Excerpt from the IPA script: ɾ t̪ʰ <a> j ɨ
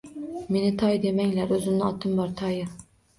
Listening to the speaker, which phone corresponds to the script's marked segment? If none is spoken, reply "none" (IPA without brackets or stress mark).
ɑ